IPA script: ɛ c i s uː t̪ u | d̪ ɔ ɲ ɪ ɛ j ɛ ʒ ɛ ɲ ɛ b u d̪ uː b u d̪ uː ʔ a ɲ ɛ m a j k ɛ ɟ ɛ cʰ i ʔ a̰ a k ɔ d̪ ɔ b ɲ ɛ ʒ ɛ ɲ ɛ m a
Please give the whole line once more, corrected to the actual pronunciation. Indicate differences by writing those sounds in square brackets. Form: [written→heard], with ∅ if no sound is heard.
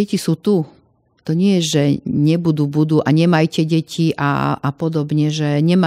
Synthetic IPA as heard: ɛ c i s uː t̪ u | [d̪→t̪] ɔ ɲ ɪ ɛ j ɛ ʒ ɛ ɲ ɛ b u d̪ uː b u d̪ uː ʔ a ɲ ɛ m a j [k→c] ɛ ɟ ɛ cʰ i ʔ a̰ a [k→p] ɔ d̪ ɔ b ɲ ɛ ʒ ɛ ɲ ɛ m a